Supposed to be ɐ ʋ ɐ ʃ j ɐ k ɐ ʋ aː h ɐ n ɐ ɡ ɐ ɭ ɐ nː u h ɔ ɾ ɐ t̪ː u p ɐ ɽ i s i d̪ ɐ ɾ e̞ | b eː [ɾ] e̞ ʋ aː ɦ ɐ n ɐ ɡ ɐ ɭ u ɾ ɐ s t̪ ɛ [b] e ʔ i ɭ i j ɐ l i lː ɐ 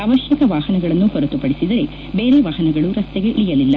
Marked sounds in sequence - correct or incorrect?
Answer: correct, incorrect: ɡ

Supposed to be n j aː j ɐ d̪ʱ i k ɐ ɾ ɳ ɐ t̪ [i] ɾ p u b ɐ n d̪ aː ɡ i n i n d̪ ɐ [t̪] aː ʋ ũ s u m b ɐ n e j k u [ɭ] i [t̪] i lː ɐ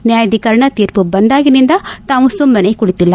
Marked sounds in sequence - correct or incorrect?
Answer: incorrect: iː, correct, incorrect: ɽ, correct

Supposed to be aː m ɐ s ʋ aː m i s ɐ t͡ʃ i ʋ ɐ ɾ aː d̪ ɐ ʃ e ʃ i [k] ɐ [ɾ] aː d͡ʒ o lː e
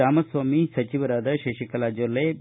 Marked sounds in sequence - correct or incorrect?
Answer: correct, incorrect: l

